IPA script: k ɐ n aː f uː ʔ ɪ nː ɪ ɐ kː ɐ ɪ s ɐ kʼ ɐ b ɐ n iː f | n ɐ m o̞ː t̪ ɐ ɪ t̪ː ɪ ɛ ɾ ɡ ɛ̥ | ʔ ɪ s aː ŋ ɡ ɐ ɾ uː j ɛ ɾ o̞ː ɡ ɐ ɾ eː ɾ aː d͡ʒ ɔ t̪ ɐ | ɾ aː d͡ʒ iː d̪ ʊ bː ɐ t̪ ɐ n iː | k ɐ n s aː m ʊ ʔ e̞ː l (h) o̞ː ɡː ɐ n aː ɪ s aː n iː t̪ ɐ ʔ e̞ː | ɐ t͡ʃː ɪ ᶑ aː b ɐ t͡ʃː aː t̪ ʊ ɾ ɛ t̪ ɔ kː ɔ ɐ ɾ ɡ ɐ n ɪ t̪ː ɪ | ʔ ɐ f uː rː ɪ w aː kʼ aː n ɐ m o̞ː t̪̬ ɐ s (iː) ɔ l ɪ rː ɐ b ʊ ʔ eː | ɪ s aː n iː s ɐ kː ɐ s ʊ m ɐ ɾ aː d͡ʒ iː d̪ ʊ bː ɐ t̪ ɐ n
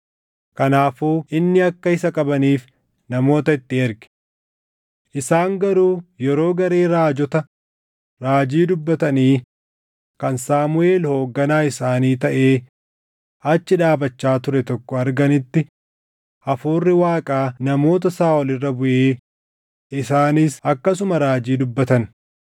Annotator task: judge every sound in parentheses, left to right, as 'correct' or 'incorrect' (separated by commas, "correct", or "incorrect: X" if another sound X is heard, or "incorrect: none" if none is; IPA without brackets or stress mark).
correct, incorrect: aː